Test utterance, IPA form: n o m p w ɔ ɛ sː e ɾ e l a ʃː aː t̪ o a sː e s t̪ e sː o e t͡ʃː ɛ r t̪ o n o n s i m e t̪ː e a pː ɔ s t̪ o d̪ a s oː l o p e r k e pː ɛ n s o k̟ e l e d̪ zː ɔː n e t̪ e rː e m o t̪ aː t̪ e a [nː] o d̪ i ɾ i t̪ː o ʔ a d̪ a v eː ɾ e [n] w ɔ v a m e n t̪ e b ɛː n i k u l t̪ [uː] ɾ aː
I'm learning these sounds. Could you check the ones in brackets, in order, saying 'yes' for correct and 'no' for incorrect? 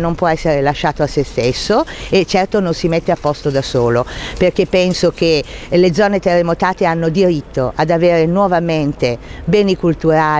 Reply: yes, yes, no

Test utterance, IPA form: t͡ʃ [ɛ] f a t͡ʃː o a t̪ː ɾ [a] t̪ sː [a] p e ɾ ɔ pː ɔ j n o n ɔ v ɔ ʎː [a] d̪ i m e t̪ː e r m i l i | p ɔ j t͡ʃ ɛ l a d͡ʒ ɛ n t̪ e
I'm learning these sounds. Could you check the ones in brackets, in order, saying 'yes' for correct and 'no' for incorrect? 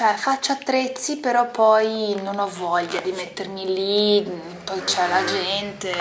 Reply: yes, no, no, yes

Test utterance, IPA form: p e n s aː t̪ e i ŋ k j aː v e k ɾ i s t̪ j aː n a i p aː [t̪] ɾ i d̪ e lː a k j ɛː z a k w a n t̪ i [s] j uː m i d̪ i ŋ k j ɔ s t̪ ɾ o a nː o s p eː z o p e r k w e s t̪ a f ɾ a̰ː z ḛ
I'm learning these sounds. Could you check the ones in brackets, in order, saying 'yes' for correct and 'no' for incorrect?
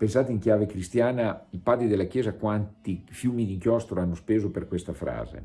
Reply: no, no

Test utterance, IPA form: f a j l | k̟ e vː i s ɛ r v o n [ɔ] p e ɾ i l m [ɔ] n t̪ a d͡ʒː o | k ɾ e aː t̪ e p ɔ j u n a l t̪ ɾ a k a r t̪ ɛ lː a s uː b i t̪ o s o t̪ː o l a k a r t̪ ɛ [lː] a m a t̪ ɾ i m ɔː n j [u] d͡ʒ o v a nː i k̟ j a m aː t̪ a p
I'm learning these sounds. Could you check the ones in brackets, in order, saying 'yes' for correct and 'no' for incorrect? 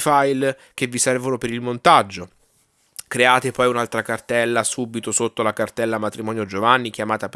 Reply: no, no, yes, no

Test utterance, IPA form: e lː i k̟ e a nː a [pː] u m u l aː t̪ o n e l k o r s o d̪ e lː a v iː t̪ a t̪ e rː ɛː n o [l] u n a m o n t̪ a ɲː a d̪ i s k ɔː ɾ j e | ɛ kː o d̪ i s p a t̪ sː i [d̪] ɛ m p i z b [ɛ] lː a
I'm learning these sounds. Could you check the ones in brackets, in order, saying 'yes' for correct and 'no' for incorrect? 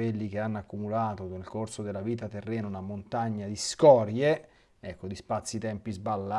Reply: no, no, no, no

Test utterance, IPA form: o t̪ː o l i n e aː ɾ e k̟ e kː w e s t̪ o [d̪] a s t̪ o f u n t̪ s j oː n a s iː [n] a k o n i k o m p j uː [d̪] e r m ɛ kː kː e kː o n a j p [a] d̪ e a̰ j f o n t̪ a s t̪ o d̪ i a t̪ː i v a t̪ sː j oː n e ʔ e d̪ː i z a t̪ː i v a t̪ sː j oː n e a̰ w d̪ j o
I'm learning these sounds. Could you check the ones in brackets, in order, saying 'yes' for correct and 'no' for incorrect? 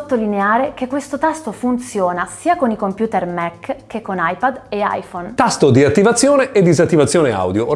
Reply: no, no, no, yes

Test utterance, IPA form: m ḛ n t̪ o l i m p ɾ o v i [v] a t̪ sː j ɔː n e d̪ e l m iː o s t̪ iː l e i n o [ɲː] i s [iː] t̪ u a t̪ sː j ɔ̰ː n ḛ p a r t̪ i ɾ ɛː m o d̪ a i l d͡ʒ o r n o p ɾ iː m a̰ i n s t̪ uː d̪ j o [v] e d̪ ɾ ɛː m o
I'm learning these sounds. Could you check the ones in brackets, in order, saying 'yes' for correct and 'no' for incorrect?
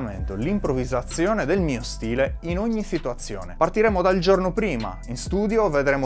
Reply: no, yes, no, yes

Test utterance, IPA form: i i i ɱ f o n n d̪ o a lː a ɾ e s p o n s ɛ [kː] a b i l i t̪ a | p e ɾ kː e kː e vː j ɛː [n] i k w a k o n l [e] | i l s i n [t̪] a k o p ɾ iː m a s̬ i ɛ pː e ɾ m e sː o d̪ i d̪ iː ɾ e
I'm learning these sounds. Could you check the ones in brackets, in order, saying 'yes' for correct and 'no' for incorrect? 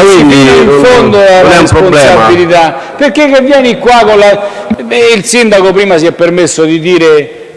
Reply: no, yes, no, no

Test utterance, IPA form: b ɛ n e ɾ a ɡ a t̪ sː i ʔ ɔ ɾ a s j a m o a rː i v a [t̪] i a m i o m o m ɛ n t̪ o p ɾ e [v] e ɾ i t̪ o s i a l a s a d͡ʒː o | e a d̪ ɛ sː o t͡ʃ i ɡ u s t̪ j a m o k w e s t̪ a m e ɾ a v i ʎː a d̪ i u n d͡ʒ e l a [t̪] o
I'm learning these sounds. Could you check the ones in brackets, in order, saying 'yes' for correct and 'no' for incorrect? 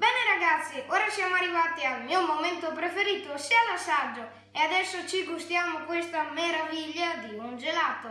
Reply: yes, no, yes

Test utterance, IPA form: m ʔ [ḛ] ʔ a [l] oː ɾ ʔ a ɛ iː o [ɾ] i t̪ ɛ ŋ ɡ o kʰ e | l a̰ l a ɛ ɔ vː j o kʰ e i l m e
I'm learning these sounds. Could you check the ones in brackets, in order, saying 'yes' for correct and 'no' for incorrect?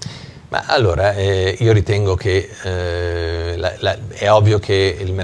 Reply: no, no, yes

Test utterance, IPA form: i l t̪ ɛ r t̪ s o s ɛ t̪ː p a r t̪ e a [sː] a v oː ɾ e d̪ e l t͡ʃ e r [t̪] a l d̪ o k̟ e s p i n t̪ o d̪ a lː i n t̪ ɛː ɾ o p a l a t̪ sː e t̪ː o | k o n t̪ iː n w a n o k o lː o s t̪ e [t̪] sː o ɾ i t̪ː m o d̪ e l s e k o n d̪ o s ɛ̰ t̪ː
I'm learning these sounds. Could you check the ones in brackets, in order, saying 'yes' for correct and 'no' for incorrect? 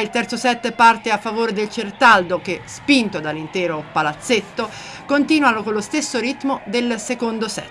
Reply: no, yes, no

